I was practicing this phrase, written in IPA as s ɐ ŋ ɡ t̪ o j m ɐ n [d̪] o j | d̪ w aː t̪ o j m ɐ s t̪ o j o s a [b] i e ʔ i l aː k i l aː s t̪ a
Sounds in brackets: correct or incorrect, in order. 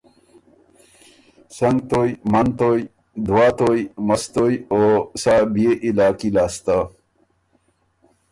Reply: incorrect: t̪, correct

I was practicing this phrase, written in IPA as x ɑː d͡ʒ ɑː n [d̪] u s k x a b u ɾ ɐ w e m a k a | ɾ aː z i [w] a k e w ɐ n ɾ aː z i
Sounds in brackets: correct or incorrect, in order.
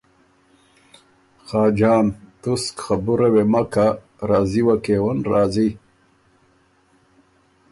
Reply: incorrect: t̪, correct

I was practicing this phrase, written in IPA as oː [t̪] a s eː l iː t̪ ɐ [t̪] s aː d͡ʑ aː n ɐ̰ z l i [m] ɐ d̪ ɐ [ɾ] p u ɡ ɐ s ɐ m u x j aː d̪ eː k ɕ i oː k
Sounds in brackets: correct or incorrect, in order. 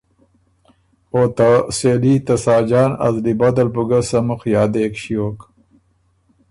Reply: correct, incorrect: none, incorrect: b, incorrect: l

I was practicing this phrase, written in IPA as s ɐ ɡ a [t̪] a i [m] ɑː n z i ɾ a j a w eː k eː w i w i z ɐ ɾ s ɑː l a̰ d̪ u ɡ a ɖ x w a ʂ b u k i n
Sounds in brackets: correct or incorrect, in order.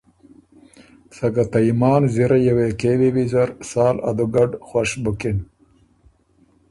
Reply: correct, correct

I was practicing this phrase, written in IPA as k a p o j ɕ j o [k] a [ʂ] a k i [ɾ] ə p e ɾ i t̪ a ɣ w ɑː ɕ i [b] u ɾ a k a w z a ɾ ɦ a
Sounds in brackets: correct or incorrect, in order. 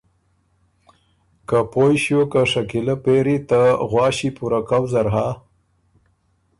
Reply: correct, correct, incorrect: l, incorrect: p

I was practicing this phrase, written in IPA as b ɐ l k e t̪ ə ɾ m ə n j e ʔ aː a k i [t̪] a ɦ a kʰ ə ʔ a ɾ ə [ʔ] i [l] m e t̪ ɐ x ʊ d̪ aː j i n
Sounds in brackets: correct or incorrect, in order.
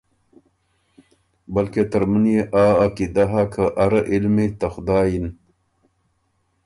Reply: incorrect: d̪, correct, correct

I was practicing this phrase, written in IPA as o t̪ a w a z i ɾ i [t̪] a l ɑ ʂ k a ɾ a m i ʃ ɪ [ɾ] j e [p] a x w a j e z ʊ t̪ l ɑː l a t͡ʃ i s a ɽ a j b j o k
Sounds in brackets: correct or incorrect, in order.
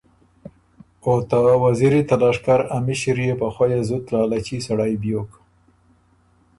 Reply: correct, correct, correct

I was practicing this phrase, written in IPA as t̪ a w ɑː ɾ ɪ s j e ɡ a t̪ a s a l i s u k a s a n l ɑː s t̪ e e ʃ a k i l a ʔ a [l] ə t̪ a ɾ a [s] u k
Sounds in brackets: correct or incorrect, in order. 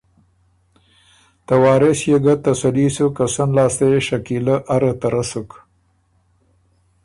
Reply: incorrect: ɾ, correct

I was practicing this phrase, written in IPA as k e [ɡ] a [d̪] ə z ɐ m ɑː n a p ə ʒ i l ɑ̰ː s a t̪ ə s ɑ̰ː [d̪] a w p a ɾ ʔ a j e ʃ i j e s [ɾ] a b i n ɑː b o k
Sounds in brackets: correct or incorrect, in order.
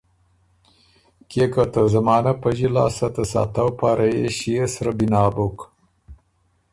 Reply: incorrect: k, incorrect: t̪, incorrect: t̪, correct

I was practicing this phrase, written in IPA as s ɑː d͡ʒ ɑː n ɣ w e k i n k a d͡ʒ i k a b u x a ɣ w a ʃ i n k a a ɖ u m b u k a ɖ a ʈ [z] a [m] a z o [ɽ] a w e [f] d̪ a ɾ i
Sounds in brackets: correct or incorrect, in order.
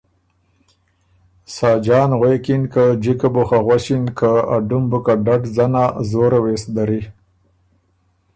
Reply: correct, incorrect: n, incorrect: ɾ, incorrect: s

